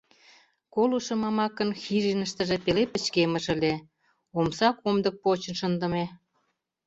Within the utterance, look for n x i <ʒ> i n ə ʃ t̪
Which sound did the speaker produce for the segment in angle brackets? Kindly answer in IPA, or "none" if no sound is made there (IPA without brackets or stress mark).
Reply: ʒ